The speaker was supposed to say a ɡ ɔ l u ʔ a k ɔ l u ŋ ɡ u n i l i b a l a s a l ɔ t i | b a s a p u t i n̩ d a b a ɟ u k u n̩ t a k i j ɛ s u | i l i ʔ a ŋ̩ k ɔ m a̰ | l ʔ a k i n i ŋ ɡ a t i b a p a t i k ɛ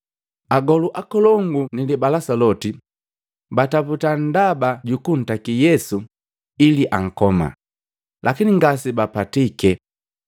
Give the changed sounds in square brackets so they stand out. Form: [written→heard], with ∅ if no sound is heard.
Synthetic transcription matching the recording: a ɡ ɔ l u ʔ a k ɔ l [u→ɔ] ŋ ɡ u n i l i b a l a s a l ɔ t i | b a [s→t] a p u t [i→a] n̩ d a b a ɟ u k u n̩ t a k i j ɛ s u | i l i ʔ a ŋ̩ k ɔ m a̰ | l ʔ a k i n i ŋ ɡ a [t→s] i b a p a t i k ɛ